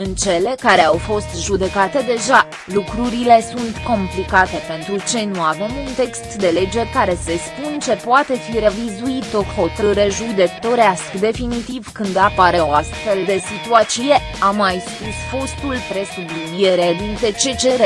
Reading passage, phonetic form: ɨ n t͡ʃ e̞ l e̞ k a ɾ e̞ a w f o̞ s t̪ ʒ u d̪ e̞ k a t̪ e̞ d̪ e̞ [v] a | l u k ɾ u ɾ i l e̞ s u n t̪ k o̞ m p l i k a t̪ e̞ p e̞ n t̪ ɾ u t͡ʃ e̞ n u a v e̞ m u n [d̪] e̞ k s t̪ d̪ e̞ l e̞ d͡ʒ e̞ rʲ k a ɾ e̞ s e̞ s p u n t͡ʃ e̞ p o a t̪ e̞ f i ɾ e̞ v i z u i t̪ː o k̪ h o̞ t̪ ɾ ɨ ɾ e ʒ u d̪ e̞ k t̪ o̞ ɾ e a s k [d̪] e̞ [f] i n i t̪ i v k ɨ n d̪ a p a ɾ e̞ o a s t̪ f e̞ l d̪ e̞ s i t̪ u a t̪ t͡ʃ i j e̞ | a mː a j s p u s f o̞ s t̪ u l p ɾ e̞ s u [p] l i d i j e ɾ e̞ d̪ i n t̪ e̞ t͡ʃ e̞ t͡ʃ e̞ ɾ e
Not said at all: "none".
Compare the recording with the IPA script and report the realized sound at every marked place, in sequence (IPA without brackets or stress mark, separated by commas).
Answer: ʒ, t̪, d̪, f, b